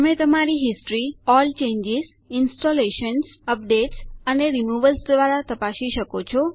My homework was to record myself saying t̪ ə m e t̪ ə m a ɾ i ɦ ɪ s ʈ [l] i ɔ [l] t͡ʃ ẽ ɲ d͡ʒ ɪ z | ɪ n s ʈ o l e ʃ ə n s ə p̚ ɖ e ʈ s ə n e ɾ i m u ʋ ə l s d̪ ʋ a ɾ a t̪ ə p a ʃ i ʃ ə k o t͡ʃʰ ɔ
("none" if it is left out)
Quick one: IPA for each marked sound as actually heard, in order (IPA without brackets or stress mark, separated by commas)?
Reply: ɾ, l